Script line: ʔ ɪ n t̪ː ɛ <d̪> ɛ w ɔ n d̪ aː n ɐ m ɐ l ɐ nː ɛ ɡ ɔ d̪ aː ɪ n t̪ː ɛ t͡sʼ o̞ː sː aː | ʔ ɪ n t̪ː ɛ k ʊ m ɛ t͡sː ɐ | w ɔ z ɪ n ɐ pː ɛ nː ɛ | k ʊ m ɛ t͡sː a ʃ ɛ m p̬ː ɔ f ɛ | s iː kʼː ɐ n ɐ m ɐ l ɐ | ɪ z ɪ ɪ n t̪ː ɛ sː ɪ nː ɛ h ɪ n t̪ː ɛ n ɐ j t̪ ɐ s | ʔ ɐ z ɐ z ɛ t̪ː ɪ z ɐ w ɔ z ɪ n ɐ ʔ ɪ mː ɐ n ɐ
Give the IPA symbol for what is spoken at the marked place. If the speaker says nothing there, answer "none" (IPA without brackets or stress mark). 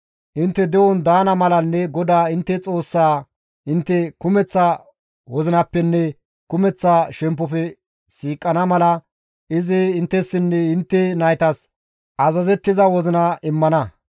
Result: d̪